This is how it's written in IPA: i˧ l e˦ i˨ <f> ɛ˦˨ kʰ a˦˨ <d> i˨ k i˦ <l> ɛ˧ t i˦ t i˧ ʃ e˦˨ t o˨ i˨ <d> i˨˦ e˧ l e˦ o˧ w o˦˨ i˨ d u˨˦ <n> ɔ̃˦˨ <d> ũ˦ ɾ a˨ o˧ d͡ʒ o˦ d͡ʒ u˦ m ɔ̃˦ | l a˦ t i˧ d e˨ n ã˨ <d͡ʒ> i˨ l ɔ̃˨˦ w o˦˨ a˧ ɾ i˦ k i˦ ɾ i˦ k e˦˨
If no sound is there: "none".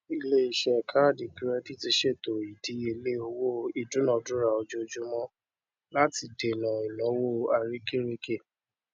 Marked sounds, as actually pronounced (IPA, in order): ʃ, d, ɾ, d, n, d, none

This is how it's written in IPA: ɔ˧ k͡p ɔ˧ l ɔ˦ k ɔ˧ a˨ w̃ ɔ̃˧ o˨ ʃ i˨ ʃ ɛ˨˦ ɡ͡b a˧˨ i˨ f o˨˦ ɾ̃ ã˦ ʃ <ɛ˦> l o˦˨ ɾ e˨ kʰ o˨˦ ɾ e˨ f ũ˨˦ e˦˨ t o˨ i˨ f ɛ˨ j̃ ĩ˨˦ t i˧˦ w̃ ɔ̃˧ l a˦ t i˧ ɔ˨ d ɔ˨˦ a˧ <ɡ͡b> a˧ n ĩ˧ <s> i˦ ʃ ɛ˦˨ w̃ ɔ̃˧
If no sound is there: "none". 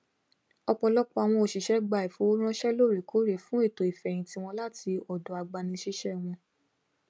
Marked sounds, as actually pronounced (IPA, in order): ɛ˦, ɡ͡b, ʃ

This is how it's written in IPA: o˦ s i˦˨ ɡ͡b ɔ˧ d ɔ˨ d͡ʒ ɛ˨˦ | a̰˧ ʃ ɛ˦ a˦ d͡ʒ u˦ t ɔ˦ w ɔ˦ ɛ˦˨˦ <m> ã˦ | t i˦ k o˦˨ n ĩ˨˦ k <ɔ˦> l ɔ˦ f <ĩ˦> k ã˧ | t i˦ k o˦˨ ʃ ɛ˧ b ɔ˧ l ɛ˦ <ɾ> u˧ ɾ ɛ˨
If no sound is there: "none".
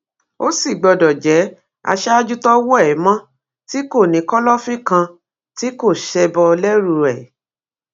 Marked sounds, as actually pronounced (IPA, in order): m, ɔ˦, ĩ˦, ɾ

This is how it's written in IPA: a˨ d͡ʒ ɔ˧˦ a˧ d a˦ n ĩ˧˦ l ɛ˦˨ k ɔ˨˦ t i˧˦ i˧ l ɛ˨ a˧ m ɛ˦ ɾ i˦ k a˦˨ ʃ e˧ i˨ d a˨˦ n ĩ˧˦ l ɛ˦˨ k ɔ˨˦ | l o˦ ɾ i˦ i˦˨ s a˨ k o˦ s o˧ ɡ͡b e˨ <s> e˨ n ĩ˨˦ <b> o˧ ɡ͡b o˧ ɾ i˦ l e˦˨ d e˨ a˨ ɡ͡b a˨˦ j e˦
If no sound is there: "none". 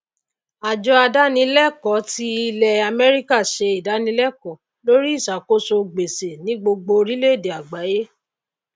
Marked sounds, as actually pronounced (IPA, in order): s, ɡ͡b

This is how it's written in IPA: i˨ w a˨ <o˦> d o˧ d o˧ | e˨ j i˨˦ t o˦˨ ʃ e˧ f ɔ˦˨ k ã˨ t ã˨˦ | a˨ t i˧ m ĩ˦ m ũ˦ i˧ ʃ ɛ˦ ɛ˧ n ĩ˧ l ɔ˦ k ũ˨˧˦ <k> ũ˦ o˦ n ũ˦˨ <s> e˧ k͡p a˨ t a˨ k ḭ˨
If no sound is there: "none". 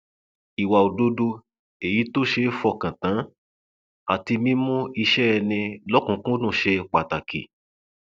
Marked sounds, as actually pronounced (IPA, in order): o˨, k, ʃ

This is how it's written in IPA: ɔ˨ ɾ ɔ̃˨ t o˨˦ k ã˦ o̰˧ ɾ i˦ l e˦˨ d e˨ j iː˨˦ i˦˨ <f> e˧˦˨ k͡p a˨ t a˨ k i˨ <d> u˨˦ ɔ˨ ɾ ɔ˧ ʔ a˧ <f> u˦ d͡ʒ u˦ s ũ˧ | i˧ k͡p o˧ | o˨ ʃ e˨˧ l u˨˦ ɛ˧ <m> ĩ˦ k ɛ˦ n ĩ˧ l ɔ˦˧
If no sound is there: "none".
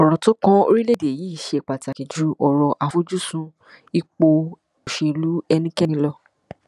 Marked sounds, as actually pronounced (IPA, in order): ʃ, d͡ʒ, f, n

